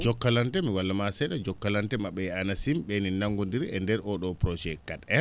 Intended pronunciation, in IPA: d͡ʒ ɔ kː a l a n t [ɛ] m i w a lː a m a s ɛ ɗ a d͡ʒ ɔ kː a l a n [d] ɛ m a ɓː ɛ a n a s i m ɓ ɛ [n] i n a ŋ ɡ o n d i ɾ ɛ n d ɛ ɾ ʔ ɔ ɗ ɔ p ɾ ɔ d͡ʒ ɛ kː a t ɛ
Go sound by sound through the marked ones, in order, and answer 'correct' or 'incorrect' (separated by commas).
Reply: correct, incorrect, correct